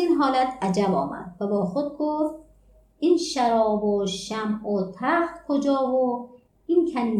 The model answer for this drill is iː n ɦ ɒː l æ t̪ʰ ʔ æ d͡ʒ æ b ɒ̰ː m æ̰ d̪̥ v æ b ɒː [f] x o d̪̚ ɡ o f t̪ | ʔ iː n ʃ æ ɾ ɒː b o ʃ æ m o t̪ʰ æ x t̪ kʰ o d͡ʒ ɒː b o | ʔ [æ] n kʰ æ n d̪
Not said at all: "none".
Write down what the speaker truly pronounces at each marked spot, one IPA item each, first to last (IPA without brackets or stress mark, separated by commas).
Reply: none, i